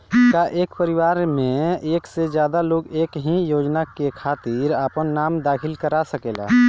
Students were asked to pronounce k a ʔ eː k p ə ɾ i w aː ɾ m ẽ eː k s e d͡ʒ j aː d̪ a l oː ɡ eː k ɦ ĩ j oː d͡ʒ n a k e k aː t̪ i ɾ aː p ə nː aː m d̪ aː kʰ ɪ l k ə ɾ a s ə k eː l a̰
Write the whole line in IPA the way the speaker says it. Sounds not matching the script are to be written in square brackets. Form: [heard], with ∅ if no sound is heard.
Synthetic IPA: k a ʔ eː k p ə ɾ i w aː ɾ m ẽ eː k s e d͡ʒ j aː d̪ a l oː ɡ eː k ɦ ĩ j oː d͡ʒ n a k e [kʰ] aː t̪ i ɾ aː p ə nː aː m d̪ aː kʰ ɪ l k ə ɾ a s ə k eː l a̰